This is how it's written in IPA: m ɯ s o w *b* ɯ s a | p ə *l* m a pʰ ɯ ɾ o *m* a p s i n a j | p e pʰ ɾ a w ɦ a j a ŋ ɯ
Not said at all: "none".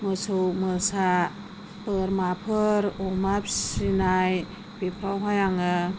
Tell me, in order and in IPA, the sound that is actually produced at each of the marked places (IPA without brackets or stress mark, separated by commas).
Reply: m, ɾ, m